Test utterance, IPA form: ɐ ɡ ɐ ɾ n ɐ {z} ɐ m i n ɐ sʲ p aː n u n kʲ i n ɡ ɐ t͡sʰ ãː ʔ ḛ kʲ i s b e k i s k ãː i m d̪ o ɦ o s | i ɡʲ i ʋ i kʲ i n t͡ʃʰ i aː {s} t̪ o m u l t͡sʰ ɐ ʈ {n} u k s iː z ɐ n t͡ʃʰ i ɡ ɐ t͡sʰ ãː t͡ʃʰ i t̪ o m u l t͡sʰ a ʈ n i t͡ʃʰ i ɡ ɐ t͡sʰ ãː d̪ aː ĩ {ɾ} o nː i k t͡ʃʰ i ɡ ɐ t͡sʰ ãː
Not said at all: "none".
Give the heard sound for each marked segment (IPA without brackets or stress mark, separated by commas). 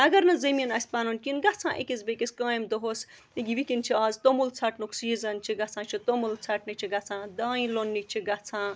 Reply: z, z, n, l